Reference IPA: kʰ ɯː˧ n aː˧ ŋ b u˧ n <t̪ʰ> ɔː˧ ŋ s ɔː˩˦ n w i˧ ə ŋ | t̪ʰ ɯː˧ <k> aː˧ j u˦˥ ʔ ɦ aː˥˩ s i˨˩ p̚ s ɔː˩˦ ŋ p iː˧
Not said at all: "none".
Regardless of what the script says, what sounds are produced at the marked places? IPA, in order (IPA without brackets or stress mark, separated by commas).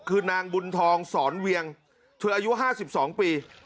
t̪ʰ, ʔ